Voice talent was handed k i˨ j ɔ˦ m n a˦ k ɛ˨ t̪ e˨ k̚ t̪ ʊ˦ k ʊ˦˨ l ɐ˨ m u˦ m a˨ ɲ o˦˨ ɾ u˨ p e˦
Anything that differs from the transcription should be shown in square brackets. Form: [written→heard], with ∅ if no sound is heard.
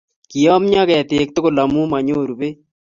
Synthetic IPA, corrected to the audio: k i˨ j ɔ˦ m [n→ɲ] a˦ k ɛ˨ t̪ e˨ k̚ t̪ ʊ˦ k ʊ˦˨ l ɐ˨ m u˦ m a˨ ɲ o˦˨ ɾ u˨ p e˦